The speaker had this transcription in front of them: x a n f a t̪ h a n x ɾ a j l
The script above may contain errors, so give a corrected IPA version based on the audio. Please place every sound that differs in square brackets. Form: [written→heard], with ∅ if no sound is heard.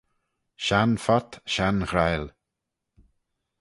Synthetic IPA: [x→ʃ] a n f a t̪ [h→ʃ] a n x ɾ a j l